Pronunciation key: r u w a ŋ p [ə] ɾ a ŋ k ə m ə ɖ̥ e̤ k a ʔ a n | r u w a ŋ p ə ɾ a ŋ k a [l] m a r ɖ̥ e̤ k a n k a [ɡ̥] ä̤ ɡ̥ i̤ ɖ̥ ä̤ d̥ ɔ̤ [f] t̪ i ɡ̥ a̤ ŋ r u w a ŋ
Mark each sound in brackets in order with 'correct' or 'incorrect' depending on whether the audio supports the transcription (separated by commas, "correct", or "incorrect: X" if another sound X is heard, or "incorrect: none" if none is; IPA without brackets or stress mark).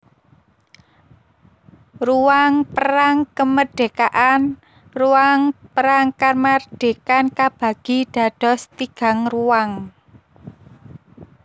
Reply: correct, incorrect: r, incorrect: b̥, incorrect: s